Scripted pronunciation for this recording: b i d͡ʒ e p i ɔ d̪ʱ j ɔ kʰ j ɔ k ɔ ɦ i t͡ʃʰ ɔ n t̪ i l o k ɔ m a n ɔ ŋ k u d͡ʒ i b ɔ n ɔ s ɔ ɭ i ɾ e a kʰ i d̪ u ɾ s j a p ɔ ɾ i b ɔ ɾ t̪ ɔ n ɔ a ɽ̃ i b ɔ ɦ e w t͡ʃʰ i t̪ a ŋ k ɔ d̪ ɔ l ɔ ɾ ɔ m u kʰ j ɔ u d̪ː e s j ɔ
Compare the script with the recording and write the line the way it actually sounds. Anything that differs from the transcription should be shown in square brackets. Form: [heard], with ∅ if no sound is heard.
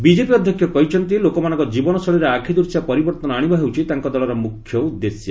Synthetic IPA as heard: b i d͡ʒ e p i ɔ d̪ʱ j ɔ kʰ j ɔ k ɔ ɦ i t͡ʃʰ ɔ n t̪ i l o k ɔ m a n ɔ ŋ k [ɔ] d͡ʒ i b ɔ n ɔ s ɔ ɭ i ɾ e a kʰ i d̪ u ɾ s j a p ɔ ɾ i b ɔ ɾ t̪ ɔ n ɔ a ɽ̃ i b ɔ ɦ e w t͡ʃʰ i t̪ a ŋ k ɔ d̪ ɔ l ɔ ɾ ɔ m u kʰ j ɔ u d̪ː e s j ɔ

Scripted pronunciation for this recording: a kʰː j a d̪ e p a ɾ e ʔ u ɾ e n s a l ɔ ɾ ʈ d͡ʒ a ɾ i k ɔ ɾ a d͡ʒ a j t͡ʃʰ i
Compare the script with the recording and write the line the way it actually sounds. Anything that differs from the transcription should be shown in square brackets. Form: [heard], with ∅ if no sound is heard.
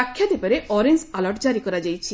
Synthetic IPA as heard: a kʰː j a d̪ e p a ɾ e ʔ [ɔ] ɾ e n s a l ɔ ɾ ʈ d͡ʒ a ɾ i k ɔ ɾ a d͡ʒ a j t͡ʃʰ i

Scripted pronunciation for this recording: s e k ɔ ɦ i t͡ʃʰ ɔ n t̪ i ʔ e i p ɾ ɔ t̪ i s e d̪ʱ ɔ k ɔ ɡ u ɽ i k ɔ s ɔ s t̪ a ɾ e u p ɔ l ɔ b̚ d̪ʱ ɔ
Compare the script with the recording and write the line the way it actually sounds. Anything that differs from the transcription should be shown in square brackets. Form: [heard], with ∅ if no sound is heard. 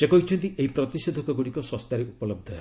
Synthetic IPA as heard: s e k ɔ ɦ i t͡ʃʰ ɔ n t̪ i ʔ e i p ɾ ɔ t̪ i s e d̪ʱ ɔ k ɔ ɡ u ɽ i k ɔ s ɔ s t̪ a ɾ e u p ɔ l ɔ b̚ d̪ʱ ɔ

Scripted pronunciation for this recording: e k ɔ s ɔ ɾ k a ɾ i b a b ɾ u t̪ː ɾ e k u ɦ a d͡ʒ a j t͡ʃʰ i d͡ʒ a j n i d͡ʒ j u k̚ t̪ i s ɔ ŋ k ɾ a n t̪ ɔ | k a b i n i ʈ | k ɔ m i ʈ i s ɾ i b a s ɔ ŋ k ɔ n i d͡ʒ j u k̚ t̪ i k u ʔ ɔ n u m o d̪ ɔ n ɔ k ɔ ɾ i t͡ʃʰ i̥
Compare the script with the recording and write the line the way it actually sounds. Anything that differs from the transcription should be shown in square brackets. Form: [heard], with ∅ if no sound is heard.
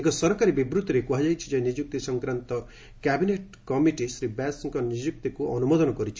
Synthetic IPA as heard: e k ɔ s ɔ ɾ k a ɾ i b [i] b ɾ u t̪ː ɾ e k u ɦ a d͡ʒ a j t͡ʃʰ i d͡ʒ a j n i d͡ʒ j u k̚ t̪ i s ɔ ŋ k ɾ a n t̪ ɔ | k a b i n [e] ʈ | k ɔ m i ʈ i s ɾ i b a s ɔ ŋ k ɔ n i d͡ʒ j u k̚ t̪ i k u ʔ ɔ n u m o d̪ ɔ n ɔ k ɔ ɾ i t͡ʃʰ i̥

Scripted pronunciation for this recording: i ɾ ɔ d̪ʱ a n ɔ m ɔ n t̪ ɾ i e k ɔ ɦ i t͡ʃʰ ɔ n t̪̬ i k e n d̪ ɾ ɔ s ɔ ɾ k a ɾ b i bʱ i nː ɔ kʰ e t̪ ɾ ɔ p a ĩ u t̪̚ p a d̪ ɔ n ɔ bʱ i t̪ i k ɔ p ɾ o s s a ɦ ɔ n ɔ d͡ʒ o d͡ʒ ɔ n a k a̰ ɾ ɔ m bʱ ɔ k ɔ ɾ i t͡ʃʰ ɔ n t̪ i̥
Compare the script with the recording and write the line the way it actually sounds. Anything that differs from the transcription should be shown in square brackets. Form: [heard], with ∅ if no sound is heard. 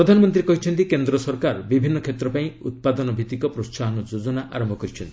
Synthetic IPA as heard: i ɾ ɔ d̪ʱ a n ɔ m ɔ n t̪ ɾ i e k ɔ ɦ i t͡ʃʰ ɔ n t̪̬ i k e n d̪ ɾ ɔ s ɔ ɾ k a ɾ b i bʱ i nː ɔ kʰ e t̪ ɾ ɔ p a ĩ u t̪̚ p a d̪ ɔ n ɔ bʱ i t̪ i k ɔ p ɾ o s s a ɦ ɔ n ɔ d͡ʒ o d͡ʒ ɔ n a [ʔ] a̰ ɾ ɔ m bʱ ɔ k ɔ ɾ i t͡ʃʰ ɔ n t̪ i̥

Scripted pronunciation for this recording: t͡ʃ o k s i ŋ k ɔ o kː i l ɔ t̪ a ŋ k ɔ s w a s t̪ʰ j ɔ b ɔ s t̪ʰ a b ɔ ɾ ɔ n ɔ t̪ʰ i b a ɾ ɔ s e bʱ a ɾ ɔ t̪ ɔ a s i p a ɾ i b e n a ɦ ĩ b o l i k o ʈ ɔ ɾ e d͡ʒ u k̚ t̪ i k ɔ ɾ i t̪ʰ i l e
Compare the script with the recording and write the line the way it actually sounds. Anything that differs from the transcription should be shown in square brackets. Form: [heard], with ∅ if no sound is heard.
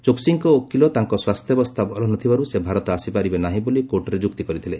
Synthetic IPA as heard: t͡ʃ o k s i ŋ k ɔ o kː i l ɔ t̪ a ŋ k ɔ s w a s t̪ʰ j ɔ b ɔ s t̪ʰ a b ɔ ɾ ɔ n ɔ t̪ʰ i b a ɾ [u] s e bʱ a ɾ ɔ t̪ ɔ a s i p a ɾ i b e n a ɦ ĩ b o l i k o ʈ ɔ ɾ e d͡ʒ u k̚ t̪ i k ɔ ɾ i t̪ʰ i l e

